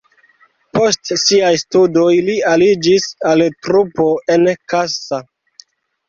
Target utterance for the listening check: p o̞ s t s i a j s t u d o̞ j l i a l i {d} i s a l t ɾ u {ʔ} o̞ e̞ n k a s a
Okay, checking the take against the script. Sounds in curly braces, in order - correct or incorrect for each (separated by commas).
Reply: incorrect, incorrect